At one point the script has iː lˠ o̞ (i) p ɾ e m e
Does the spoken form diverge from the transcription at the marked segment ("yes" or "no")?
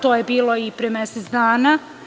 no